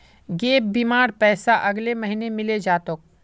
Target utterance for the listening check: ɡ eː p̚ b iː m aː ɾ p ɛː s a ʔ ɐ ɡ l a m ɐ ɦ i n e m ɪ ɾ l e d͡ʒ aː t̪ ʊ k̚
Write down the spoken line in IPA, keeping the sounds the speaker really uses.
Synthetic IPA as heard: ɡ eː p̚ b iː m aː ɾ p ɛː s a ʔ ɐ ɡ l e m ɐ ɦ i n e m ɪ l e d͡ʒ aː t̪ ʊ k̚